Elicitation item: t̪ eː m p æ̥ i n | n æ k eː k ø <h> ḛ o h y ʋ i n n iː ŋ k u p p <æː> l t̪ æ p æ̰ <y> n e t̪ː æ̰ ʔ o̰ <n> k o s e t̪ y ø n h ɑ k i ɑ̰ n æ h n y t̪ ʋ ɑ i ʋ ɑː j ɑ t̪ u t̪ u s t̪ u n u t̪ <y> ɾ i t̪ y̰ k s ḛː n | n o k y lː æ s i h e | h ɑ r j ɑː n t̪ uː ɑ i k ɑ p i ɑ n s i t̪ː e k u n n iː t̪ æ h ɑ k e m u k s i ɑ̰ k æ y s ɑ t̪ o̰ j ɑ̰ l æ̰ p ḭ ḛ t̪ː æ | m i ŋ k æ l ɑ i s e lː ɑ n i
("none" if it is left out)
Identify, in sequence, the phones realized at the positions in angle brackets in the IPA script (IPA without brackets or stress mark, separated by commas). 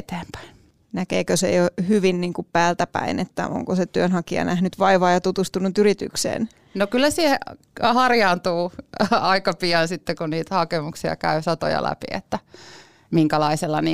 s, æː, i, ŋ, y